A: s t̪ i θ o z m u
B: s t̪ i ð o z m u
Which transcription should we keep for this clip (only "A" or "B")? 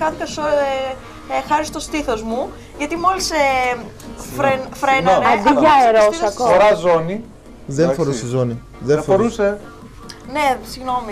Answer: A